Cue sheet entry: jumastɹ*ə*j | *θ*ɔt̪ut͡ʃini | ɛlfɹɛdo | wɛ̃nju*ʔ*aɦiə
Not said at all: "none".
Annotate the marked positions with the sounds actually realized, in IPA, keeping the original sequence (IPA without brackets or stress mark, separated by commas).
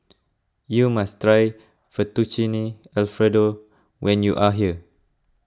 a, f, ʔ